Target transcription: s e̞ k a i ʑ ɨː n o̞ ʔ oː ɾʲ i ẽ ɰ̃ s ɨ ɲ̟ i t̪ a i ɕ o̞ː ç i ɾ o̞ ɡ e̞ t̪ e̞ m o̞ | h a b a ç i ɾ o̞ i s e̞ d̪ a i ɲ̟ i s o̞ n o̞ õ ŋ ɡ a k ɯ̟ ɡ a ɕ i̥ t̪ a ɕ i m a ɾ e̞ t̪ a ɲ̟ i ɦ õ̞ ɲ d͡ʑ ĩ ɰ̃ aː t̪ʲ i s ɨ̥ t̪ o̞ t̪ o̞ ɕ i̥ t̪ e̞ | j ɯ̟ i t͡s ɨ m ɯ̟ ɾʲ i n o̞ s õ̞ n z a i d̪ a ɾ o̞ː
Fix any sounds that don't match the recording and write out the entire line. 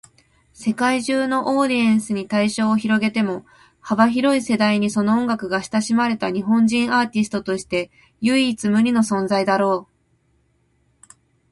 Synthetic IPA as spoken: s e̞ k a i ʑ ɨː n o̞ ʔ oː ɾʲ i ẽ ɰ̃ s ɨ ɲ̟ i t̪ a i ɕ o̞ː ç i ɾ o̞ ɡ e̞ t̪ e̞ m o̞ | h a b a ç i ɾ o̞ i s e̞ d̪ a i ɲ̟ i s o̞ n o̞ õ ŋ ɡ a k ɯ̟ ɡ a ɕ i̥ t̪ a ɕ i m a ɾ e̞ t̪ a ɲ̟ i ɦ õ̞ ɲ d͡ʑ ĩ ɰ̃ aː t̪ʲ i s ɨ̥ t̪ o̞ t̪ o̞ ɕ i̥ t̪ e̞ | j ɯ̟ i t͡s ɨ m ɯ̟ ɾʲ i n o̞ s õ̞ n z a i d̪ a ɾ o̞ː